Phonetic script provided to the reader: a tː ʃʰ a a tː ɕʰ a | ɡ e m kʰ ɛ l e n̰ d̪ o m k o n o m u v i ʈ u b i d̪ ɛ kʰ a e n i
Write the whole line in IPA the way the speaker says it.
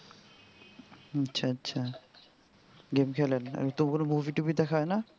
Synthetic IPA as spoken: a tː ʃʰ a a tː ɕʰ a | ɡ e m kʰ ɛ l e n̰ t̪ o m k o n o m u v i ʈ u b i d̪ ɛ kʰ a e n a